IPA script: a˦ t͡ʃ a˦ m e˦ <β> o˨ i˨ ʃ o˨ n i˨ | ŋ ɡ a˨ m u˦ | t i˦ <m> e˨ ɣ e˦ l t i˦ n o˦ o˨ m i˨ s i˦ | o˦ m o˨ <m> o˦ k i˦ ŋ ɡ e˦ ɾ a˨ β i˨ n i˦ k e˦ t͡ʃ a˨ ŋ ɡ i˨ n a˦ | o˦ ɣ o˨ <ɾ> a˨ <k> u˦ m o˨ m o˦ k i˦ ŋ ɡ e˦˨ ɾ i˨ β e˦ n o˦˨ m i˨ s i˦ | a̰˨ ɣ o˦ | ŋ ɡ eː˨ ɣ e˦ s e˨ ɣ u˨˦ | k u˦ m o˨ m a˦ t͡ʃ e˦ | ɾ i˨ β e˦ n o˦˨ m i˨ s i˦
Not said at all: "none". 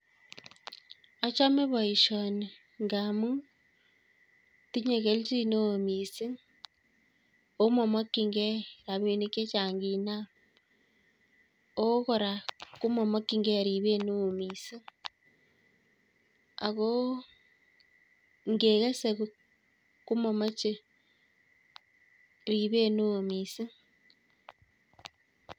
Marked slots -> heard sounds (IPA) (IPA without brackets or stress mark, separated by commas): β, ɲ, m, ɾ, k